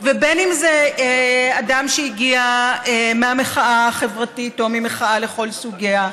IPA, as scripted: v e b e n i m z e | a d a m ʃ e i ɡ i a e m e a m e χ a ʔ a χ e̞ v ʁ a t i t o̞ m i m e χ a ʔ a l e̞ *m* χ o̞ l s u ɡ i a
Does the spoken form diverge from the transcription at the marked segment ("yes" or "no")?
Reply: yes